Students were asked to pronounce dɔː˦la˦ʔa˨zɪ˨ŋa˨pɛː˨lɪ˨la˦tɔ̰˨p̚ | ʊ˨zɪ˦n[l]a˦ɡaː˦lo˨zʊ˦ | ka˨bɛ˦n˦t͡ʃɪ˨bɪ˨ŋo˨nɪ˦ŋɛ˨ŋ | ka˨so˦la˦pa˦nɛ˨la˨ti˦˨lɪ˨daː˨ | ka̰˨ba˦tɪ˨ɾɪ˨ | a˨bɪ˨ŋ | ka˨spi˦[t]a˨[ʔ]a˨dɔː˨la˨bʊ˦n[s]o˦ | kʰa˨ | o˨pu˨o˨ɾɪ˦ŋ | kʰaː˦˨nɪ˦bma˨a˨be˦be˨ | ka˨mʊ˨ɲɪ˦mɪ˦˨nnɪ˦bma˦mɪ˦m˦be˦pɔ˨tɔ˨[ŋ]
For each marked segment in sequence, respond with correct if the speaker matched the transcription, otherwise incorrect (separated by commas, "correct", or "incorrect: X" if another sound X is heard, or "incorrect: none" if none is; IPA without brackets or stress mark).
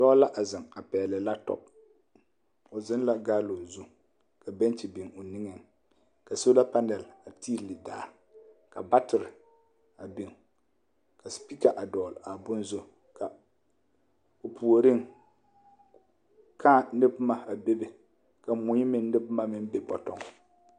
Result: correct, incorrect: k, correct, incorrect: z, correct